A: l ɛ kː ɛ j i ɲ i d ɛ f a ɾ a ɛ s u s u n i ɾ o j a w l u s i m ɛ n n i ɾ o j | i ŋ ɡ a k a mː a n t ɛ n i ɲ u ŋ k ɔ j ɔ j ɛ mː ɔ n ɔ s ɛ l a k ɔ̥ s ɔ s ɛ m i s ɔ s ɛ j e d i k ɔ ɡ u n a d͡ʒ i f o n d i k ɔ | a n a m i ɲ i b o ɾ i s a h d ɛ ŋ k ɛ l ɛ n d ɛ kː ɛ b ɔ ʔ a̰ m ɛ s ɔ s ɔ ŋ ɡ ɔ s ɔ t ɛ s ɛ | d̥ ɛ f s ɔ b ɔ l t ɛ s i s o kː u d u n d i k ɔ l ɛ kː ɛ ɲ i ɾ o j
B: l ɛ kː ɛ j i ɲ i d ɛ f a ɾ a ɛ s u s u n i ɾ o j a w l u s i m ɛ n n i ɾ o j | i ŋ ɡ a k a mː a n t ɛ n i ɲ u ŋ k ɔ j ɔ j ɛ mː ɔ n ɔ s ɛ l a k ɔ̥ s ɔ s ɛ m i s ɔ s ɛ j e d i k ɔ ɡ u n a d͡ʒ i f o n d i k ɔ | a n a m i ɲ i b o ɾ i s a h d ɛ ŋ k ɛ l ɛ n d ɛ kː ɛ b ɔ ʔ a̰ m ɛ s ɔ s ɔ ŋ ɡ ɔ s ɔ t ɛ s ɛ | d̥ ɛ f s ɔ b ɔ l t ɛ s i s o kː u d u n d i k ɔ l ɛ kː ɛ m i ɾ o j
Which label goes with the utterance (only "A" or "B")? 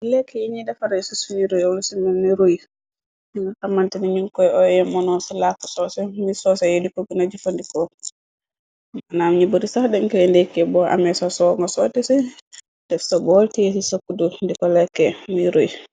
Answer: B